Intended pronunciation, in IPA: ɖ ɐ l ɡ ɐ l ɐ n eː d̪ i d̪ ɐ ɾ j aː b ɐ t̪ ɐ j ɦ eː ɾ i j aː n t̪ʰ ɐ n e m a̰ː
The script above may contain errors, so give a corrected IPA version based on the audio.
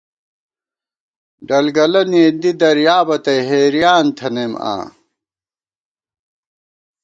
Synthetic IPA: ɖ ɐ l ɡ ɐ l ɐ n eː d̪ i d̪ ɐ ɾ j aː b ɐ t̪ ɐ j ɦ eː ɾ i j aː n t̪ʰ ɐ n e m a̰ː